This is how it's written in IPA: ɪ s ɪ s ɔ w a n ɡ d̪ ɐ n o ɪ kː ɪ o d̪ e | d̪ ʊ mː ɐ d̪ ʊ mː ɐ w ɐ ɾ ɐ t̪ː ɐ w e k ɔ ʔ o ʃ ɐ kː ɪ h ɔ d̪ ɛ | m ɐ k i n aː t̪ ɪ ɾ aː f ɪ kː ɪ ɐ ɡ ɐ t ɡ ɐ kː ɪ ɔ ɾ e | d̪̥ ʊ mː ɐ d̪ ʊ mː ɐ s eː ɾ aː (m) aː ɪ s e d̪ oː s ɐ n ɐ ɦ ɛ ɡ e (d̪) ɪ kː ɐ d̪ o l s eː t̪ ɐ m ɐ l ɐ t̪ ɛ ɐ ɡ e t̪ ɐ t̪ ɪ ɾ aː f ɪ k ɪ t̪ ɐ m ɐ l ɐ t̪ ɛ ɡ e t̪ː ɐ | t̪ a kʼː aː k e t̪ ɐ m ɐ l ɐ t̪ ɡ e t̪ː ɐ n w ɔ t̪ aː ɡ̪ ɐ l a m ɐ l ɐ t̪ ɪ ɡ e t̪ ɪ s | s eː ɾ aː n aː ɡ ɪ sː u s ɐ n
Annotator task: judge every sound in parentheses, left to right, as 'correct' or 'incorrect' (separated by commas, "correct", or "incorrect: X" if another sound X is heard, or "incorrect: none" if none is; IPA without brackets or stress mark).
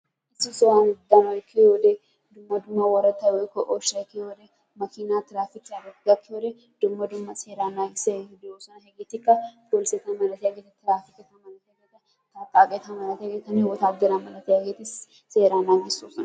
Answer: incorrect: n, incorrect: t̪